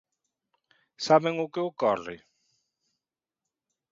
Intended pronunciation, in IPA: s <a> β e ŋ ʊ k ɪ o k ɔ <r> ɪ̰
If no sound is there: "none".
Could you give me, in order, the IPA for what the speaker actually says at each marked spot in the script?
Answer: a, r

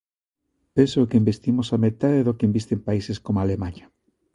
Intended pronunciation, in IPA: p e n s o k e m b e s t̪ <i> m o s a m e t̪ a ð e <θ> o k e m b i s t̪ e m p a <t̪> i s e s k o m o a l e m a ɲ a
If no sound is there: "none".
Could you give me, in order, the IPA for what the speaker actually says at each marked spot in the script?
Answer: i, ð, none

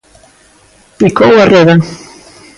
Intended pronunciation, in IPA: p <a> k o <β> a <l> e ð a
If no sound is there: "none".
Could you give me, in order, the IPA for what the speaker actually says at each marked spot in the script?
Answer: i, w, r

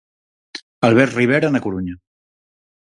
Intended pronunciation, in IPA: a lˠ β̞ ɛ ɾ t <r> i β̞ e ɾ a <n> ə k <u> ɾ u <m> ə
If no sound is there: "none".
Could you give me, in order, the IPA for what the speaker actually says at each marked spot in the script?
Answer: r, n, u, ɲ

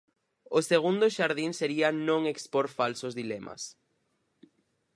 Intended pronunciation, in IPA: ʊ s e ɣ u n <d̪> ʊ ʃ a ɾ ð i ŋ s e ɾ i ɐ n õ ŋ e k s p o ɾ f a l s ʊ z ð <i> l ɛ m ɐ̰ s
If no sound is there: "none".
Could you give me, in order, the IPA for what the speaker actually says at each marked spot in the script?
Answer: d̪, i

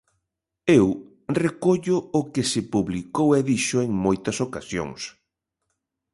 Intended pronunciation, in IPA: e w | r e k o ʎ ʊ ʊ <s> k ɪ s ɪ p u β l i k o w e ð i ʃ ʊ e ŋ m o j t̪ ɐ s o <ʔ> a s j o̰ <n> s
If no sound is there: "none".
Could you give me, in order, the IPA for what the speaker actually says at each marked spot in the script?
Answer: none, k, ŋ

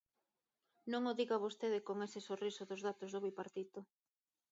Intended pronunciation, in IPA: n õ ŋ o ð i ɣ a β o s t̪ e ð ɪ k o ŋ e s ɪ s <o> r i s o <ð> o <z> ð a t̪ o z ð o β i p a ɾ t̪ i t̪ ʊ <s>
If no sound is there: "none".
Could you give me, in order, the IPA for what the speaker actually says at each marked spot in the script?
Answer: o, ð, z, none

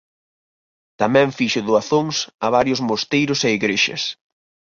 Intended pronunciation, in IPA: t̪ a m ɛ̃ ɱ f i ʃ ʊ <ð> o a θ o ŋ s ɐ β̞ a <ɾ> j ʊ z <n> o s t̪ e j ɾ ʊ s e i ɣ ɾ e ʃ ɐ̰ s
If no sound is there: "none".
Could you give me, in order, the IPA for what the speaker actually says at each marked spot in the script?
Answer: ð, ɾ, m

